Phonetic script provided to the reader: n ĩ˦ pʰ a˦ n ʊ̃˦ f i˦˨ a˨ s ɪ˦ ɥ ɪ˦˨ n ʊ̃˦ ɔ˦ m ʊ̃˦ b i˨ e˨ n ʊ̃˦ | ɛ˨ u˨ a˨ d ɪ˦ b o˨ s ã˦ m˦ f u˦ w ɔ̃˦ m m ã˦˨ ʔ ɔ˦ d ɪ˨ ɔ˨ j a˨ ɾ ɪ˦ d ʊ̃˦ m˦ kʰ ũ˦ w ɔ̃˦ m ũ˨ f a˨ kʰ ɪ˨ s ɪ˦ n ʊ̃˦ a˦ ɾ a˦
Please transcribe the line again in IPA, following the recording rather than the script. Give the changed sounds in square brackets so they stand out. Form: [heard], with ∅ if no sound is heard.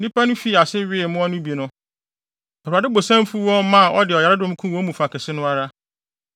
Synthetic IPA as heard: n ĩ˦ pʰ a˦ n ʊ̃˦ f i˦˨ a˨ s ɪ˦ ɥ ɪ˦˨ [m] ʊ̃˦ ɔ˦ [n] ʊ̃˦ b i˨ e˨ n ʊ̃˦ | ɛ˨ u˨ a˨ d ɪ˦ b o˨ s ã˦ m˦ f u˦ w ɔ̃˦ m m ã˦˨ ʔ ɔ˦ d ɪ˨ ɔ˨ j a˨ ɾ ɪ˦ d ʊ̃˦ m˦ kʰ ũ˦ w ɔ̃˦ m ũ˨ f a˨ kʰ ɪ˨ s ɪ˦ n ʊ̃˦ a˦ ɾ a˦

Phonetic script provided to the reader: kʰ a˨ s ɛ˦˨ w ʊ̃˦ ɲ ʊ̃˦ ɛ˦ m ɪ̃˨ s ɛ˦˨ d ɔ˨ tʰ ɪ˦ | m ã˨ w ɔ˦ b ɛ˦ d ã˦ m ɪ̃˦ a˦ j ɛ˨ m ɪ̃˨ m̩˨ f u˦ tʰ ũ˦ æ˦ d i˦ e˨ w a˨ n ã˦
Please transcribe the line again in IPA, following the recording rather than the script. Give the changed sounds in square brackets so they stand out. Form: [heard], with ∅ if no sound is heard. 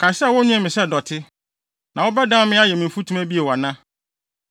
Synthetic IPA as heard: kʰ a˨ s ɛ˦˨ w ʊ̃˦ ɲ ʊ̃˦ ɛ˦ m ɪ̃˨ s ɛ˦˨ d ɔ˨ tʰ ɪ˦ | [n] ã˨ w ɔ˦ b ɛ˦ d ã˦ m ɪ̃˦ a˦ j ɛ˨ m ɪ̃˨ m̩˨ f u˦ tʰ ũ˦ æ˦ [b] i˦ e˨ w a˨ n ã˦

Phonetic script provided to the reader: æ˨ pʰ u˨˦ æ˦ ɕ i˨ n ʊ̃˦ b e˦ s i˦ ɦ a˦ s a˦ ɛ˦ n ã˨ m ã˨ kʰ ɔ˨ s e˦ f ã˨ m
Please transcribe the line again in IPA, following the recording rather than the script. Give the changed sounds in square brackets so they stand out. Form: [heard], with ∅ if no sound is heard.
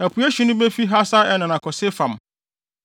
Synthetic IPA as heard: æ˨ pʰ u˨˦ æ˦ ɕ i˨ n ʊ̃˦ b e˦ [f] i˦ ɦ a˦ s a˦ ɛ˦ n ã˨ [n] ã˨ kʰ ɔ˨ s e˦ f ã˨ m

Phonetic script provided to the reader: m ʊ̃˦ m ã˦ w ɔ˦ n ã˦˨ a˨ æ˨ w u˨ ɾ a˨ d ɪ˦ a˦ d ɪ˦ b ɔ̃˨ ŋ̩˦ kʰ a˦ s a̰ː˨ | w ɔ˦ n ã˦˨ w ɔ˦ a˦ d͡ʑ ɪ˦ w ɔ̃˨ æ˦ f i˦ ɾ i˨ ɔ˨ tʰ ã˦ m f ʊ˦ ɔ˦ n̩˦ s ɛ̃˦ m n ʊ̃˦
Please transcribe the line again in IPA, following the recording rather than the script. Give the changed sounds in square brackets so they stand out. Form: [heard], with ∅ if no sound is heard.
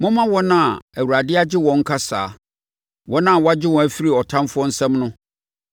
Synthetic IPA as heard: m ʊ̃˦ m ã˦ w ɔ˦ n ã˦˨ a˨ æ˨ w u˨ ɾ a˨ d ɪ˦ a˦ [d͡ʑ] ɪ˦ [w] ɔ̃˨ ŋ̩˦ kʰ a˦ s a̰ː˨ | w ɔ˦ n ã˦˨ w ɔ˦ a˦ d͡ʑ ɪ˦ w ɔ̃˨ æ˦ f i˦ ɾ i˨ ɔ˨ tʰ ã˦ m f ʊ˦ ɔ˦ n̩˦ s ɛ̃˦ m n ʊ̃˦

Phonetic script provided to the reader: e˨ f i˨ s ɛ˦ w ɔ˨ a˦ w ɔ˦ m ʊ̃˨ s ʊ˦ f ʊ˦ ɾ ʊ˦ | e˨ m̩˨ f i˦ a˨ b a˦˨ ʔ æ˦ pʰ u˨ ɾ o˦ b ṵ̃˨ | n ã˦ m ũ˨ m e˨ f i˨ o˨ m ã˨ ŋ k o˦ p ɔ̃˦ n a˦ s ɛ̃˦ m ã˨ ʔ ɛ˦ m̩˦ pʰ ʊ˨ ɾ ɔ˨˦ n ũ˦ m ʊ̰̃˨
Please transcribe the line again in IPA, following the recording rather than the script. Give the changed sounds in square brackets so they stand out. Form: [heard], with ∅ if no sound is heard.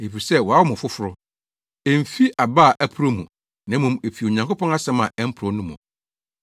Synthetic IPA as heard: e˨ f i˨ s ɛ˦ w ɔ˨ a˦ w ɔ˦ m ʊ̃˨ [f] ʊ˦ f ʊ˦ ɾ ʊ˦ | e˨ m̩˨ f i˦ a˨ b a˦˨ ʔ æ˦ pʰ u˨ ɾ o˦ [m] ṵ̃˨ | n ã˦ m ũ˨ m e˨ f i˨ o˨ [ɲ] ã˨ ŋ k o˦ p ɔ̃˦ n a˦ s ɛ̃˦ m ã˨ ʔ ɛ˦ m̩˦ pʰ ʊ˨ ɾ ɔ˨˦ n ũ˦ m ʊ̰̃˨

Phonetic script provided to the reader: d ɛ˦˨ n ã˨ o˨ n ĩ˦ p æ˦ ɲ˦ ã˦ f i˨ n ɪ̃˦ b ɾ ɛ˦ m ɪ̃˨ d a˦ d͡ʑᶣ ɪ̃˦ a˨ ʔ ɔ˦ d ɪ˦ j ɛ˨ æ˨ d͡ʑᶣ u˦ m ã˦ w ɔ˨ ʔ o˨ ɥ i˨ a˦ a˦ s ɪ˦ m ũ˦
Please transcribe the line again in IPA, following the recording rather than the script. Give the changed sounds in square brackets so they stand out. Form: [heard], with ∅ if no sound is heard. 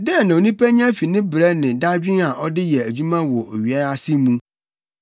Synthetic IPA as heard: d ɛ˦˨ n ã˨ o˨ n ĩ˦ p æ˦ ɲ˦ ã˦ f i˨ n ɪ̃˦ b ɾ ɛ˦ [n] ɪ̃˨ d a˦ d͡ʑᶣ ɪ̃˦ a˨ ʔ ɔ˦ d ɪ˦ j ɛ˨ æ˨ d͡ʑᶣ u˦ m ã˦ w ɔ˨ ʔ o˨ ɥ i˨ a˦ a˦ s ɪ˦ m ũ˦

